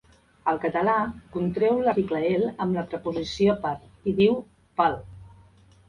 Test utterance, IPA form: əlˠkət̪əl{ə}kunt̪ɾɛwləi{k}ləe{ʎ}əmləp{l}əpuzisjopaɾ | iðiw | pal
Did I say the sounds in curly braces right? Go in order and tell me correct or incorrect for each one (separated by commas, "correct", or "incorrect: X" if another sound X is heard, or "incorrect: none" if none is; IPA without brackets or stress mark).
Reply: incorrect: a, correct, incorrect: l, incorrect: ɾ